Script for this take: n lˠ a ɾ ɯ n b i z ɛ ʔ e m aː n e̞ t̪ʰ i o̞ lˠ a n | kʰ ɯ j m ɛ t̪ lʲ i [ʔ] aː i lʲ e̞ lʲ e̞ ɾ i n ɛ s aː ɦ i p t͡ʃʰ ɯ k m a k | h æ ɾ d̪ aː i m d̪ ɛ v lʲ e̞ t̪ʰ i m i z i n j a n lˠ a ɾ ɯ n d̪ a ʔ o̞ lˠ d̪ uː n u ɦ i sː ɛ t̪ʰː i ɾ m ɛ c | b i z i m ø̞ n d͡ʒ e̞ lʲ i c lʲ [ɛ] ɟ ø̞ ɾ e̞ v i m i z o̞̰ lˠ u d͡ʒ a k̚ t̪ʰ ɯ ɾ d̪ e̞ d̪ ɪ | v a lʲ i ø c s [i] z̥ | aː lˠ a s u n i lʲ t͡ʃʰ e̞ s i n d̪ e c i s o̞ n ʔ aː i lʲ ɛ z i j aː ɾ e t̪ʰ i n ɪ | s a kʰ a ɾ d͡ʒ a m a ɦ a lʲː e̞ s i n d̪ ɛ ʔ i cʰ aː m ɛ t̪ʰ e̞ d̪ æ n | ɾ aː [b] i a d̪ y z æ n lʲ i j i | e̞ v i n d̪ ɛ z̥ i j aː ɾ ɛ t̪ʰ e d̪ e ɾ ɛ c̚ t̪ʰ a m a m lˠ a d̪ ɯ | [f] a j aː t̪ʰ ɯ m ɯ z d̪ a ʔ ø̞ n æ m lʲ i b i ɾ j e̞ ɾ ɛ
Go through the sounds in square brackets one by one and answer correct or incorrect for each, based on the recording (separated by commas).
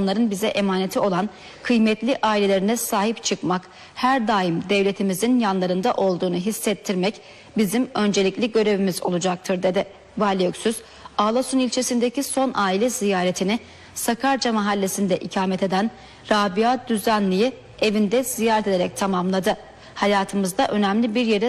correct, incorrect, incorrect, correct, incorrect